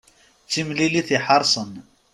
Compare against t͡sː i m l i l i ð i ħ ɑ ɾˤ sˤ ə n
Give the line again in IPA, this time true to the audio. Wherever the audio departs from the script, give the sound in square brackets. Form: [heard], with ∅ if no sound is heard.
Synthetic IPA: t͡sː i m l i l i [θ] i ħ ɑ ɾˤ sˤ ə n